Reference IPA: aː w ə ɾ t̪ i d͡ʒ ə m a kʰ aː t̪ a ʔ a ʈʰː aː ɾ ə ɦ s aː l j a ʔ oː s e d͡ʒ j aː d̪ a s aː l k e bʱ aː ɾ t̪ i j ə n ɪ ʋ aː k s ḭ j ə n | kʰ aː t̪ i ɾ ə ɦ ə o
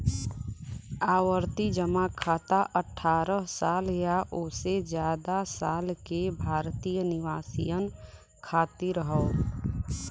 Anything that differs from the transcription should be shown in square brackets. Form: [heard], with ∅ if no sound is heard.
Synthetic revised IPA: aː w ə ɾ t̪ i d͡ʒ ə m a kʰ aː t̪ a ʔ [ə] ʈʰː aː ɾ ə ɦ s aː l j a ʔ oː s e d͡ʒ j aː d̪ a s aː l k e bʱ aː ɾ t̪ i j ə n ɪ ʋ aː [∅] s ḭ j ə n | kʰ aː t̪ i ɾ ə ɦ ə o